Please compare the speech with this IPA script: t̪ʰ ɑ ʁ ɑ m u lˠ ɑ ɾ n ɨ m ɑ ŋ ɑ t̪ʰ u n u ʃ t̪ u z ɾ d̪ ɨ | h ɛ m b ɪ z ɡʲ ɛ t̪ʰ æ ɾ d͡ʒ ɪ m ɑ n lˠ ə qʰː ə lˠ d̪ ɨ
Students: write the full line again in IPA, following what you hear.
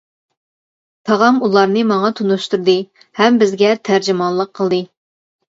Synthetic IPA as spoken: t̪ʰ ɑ ʁ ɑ m u lˠ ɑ ɾ n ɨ m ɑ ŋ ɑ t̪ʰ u n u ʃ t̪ u ɾ d̪ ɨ | h ɛ m b ɪ z ɡʲ ɛ t̪ʰ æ ɾ d͡ʒ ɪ m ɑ n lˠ ə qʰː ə lˠ d̪ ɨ